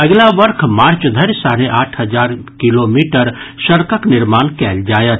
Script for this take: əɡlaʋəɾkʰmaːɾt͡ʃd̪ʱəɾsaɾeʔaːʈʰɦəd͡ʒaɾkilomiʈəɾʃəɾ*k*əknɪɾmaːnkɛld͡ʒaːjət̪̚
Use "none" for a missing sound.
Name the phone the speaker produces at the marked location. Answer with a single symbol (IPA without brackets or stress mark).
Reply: k